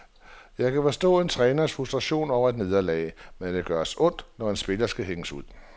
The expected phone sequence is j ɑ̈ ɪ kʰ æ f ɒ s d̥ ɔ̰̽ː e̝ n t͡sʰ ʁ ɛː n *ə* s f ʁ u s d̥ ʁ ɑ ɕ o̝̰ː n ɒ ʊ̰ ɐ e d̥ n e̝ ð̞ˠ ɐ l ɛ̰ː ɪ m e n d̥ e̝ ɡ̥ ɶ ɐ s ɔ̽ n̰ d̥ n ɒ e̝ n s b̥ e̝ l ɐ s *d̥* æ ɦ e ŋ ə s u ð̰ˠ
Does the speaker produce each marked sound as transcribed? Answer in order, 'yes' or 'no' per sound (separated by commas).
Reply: no, no